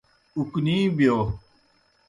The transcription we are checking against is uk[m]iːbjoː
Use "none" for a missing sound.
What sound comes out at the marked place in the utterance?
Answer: n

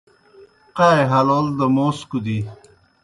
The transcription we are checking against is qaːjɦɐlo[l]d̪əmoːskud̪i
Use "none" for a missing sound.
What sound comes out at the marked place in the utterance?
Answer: l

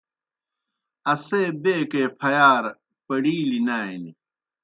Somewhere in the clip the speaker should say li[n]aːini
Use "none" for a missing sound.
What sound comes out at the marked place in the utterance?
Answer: n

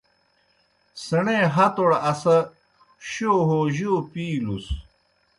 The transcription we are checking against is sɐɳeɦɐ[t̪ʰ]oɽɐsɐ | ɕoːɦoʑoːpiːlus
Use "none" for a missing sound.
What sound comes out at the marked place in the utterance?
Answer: t̪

